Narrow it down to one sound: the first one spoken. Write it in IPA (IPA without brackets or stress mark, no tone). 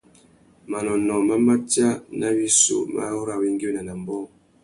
m